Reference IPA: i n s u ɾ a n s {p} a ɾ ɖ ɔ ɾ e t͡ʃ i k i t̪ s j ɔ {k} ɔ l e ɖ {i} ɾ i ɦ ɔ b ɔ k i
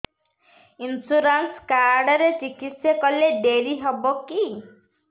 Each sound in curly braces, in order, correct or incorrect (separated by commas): incorrect, correct, incorrect